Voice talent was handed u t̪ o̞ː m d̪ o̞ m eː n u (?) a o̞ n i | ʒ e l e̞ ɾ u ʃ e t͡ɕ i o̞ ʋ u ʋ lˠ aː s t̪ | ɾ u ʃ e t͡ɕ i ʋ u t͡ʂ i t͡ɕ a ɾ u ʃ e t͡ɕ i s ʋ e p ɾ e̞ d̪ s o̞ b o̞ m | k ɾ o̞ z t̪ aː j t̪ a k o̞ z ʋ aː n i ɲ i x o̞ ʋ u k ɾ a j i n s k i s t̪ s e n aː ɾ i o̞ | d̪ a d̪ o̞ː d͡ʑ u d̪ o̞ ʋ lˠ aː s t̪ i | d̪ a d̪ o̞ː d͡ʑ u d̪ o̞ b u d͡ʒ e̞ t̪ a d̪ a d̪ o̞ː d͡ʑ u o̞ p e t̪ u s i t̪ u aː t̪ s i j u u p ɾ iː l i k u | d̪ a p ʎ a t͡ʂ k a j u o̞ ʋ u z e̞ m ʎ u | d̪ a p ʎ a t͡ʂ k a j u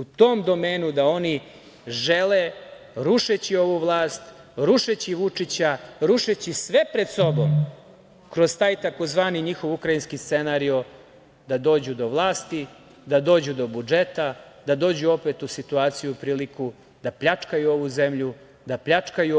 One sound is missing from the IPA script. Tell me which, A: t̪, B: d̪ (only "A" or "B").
B